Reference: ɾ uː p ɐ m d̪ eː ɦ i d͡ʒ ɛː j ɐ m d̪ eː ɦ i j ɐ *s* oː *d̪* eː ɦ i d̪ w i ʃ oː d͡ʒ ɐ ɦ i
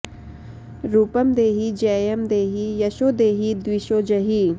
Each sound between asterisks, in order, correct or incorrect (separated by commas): incorrect, correct